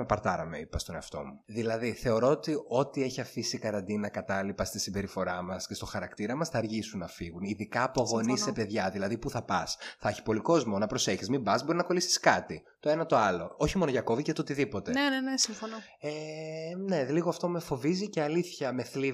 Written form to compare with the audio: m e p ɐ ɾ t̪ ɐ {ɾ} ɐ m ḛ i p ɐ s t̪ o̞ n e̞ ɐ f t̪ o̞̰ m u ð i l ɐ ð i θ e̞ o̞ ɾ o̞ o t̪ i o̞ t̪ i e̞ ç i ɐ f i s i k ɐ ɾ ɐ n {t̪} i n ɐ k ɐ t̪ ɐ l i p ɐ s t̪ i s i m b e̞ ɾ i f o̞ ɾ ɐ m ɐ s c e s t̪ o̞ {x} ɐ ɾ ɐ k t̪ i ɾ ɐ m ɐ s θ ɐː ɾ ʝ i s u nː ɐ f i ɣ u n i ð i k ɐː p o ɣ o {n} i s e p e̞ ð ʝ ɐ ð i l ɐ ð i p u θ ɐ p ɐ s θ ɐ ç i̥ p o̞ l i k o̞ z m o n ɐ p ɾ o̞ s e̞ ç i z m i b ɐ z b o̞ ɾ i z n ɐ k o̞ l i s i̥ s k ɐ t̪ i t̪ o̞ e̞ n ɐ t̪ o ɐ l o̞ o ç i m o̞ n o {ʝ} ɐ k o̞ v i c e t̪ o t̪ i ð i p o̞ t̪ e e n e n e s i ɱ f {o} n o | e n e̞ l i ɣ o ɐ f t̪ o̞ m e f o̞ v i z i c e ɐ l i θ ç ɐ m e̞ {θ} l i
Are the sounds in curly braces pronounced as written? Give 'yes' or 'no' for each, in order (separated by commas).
yes, no, yes, yes, yes, yes, yes